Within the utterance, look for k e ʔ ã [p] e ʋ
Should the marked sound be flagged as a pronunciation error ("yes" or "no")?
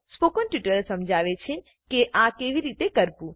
yes